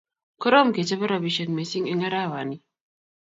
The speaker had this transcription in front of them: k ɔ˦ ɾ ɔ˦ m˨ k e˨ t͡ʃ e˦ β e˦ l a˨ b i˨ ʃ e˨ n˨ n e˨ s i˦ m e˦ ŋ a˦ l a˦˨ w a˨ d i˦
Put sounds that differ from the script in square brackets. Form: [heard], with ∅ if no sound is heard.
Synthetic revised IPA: k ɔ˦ ɾ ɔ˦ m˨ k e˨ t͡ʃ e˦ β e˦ [ɾ] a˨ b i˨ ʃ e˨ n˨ [m] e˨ s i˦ [ŋ] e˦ ŋ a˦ [ɾ] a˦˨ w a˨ [n] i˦